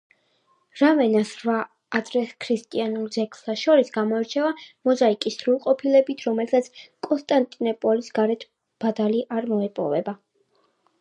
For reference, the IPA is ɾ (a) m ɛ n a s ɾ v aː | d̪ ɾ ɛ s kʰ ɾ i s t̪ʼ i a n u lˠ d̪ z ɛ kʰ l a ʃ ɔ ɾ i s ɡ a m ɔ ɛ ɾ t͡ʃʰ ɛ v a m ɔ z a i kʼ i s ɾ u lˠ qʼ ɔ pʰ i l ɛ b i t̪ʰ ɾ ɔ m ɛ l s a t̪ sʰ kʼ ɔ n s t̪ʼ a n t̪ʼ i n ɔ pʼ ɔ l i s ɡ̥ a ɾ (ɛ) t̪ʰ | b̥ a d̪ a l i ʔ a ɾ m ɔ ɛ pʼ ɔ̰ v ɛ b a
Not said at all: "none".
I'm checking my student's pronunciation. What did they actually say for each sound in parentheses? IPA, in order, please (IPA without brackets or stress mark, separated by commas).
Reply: a, ɛ